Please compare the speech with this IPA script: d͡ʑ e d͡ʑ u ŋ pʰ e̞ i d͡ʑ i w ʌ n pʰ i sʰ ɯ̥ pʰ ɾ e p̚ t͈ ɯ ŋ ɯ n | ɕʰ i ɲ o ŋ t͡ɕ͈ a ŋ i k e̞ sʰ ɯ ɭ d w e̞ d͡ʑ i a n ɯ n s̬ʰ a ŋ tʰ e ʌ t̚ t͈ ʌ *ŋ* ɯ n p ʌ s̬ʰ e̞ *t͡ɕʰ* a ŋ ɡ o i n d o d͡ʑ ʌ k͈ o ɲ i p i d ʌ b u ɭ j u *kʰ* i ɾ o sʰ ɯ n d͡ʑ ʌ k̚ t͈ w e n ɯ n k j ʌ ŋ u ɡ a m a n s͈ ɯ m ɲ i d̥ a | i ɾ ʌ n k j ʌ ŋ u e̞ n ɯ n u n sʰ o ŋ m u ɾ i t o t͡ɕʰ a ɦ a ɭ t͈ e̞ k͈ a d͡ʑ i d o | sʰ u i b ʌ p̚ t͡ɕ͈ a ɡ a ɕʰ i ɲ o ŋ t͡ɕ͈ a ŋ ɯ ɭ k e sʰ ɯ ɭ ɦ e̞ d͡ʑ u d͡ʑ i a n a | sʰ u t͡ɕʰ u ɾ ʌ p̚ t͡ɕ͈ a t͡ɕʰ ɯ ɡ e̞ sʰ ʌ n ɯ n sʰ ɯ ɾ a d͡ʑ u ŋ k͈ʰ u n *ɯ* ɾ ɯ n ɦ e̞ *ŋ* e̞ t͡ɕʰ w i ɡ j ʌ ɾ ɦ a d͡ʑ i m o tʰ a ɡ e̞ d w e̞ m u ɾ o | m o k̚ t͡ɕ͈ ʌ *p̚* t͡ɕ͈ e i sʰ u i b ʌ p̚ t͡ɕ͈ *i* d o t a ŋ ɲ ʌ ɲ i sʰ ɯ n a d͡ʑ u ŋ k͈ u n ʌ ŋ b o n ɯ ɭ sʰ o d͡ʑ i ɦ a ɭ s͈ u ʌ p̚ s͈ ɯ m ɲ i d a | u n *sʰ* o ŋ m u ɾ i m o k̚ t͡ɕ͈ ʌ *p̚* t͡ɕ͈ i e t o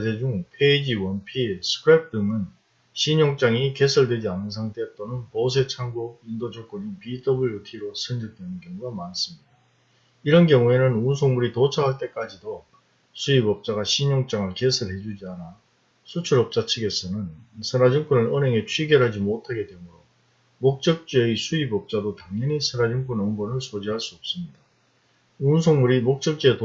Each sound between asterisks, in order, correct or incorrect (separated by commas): incorrect, correct, incorrect, correct, correct, incorrect, incorrect, correct, incorrect